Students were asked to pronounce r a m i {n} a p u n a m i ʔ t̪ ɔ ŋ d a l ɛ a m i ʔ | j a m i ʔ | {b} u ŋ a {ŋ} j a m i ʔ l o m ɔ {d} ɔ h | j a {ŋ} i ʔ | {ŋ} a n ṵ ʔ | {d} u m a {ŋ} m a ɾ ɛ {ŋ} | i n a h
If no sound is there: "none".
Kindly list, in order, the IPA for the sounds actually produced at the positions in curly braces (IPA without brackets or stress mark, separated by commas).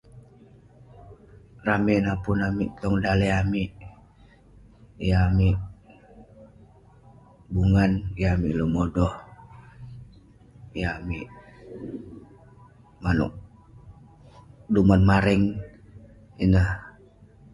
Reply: n, b, n, d, m, m, d, n, ŋ